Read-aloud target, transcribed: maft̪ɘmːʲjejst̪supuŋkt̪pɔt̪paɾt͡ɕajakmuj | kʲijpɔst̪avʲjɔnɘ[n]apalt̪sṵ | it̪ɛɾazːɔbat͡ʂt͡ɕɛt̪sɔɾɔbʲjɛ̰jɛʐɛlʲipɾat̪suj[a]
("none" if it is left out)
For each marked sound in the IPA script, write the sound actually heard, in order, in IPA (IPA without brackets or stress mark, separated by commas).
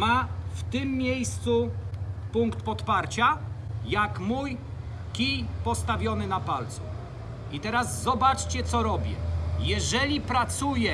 n, ɛ